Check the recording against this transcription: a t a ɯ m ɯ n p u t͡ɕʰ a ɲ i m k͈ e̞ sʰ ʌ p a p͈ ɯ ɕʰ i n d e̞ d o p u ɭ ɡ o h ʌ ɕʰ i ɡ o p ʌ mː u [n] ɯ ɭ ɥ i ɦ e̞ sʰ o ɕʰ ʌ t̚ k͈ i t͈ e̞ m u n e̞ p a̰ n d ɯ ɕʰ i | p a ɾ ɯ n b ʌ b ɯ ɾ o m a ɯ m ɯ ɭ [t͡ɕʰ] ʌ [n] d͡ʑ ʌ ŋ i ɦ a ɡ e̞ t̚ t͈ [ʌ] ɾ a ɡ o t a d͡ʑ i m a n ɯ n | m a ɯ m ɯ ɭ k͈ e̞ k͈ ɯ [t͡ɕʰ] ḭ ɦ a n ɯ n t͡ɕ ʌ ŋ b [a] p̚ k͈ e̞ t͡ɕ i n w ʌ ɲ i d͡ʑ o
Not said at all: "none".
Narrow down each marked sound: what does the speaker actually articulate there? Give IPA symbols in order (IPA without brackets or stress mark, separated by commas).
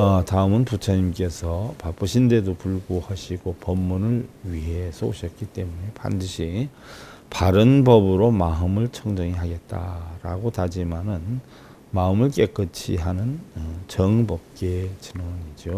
n, t͡ɕʰ, ŋ, a, t͡ɕʰ, ʌ